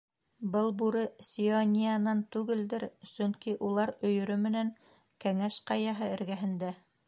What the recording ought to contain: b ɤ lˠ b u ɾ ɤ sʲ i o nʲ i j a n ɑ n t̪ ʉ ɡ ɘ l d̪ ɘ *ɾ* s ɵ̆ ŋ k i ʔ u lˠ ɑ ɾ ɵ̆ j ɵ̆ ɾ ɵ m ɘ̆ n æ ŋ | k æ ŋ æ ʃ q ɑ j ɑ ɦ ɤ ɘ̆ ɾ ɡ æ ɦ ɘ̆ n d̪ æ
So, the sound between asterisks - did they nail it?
yes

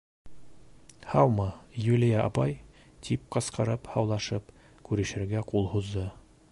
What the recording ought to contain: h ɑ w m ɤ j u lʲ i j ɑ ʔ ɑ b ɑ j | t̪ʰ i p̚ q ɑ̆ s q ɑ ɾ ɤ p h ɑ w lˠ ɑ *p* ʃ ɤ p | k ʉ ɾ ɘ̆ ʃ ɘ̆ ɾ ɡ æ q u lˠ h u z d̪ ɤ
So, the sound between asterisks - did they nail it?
no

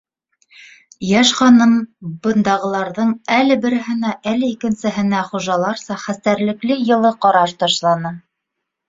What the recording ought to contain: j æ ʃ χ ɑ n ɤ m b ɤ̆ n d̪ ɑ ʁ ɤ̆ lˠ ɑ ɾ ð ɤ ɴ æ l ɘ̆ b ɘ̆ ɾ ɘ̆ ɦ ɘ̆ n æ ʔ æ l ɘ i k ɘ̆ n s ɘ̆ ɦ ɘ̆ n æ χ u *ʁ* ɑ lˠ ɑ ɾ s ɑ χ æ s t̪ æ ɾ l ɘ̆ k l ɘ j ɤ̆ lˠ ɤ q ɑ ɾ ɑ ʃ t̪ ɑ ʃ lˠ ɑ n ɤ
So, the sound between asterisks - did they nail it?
no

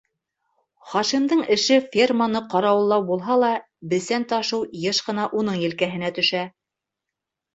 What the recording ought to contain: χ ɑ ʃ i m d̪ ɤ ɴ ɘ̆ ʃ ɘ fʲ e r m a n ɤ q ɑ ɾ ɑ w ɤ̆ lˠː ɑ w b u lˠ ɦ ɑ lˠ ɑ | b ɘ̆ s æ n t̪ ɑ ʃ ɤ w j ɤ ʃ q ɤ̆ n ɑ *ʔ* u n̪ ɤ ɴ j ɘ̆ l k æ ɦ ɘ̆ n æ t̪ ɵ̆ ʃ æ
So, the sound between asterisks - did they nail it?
yes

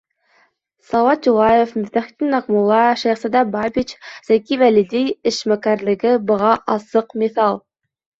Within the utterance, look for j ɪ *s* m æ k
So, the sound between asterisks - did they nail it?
no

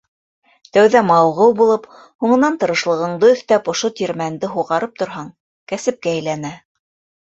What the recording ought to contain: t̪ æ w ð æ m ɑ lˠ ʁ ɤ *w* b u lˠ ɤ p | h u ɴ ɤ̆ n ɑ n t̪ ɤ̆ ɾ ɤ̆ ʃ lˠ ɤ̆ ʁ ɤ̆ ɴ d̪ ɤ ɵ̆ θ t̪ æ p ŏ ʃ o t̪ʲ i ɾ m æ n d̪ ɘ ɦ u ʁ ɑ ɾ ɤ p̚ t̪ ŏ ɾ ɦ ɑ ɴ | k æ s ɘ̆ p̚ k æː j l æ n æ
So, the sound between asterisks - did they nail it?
yes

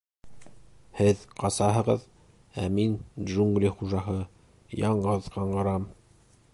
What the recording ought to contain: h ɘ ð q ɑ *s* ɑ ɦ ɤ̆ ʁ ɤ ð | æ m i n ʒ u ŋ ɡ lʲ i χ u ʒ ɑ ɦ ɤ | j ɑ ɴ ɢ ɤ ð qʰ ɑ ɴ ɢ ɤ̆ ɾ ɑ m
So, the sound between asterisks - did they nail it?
yes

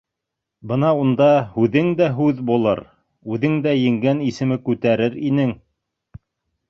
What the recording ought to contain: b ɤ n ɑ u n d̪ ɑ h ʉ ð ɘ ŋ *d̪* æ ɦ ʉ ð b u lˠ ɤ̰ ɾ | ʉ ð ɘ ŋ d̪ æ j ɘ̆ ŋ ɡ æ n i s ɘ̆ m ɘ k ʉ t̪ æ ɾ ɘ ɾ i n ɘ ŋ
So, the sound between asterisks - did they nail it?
yes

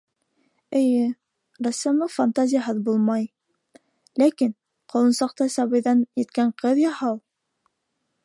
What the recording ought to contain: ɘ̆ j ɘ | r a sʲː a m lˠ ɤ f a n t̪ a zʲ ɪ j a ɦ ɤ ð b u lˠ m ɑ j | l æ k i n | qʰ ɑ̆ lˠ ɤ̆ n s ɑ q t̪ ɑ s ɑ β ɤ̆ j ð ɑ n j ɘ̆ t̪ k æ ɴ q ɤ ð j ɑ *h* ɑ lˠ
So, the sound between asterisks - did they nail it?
yes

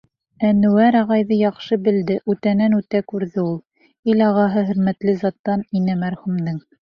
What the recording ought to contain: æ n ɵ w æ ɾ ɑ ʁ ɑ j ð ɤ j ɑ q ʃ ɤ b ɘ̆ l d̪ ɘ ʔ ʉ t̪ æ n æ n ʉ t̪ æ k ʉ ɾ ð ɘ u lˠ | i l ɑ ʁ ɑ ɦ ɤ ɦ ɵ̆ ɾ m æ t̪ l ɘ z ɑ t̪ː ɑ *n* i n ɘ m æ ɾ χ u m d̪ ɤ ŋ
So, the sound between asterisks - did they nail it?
yes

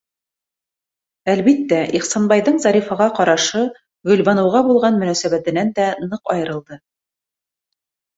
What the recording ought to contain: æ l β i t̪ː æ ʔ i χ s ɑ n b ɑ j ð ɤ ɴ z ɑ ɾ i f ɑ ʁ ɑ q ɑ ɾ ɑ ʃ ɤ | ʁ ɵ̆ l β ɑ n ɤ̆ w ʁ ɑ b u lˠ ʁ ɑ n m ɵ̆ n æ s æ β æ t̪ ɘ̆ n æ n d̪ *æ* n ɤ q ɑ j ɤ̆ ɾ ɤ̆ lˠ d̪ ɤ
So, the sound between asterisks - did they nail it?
yes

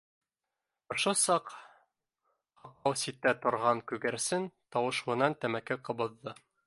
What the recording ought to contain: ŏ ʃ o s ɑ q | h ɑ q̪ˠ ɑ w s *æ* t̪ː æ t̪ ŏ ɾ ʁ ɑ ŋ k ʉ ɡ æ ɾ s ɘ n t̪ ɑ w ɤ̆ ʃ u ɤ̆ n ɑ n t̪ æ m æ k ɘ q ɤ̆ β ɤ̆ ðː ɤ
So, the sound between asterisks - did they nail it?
no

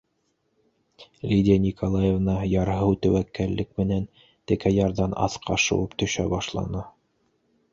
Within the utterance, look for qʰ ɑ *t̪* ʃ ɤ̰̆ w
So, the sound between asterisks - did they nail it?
no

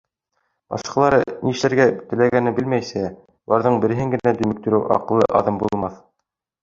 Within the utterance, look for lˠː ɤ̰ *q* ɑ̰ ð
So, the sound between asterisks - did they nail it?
no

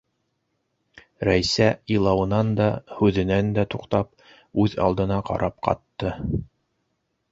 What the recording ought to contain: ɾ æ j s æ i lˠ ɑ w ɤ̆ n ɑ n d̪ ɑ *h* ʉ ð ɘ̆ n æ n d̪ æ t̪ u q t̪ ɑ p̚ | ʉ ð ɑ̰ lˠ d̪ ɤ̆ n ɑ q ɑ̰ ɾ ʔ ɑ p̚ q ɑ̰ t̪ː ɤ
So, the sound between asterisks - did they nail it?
yes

